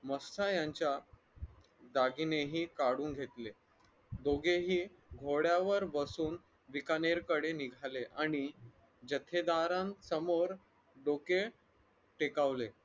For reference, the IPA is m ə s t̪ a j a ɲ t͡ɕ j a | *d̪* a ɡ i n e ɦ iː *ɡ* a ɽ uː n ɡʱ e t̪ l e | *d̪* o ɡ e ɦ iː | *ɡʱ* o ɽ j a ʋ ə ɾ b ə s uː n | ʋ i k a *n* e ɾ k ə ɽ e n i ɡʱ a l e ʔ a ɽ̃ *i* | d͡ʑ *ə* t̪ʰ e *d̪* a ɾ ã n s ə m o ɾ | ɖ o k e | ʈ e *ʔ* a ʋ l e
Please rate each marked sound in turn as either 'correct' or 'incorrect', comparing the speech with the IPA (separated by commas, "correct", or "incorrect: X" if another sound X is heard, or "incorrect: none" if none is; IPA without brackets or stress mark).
correct, incorrect: k, correct, correct, correct, correct, correct, correct, incorrect: k